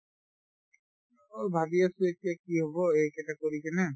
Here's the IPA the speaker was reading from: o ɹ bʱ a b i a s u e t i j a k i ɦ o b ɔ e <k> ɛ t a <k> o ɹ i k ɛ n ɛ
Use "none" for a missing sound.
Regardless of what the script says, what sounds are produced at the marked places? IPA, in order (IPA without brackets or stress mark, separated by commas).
k, k